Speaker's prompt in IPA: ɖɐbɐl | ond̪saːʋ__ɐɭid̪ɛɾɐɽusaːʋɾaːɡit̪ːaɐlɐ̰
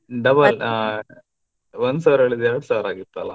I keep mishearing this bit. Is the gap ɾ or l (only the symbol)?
ɾ